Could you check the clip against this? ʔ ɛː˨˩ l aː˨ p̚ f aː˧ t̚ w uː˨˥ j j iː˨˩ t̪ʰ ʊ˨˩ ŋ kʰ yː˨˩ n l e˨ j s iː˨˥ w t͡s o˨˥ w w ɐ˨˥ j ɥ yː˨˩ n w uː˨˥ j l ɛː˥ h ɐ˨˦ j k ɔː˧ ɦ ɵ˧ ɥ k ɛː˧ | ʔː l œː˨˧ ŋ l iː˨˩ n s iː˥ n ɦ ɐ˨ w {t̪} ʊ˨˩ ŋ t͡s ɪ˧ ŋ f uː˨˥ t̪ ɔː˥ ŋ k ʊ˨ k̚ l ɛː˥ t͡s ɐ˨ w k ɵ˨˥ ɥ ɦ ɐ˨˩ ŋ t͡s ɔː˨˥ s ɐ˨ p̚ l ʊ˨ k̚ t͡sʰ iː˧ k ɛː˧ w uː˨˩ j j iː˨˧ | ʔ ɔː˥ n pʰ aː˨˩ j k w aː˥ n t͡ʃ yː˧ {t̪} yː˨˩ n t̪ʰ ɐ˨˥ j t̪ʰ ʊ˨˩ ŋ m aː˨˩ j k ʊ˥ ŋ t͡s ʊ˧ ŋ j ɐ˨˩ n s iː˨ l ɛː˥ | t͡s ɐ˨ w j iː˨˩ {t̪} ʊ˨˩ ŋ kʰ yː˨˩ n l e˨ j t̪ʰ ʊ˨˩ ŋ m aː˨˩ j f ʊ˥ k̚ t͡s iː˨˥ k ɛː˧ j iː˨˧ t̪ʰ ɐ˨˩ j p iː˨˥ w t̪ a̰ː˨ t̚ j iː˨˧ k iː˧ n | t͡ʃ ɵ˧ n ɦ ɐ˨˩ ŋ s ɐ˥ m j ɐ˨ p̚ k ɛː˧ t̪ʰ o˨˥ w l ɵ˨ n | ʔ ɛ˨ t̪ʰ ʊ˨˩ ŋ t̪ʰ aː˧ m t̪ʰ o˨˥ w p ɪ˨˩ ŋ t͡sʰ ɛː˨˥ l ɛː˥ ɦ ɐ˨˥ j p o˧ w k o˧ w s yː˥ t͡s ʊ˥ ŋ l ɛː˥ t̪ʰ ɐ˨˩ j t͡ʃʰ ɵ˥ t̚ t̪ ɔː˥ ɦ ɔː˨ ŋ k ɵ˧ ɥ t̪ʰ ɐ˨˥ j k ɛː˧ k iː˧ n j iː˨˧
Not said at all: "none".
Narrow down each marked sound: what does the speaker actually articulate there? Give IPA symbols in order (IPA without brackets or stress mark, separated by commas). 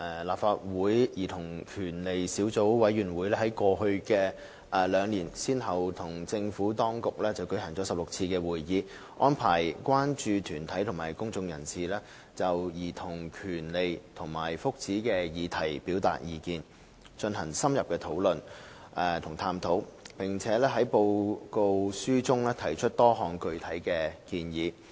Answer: t̪ʰ, t̪ʰ, t̪ʰ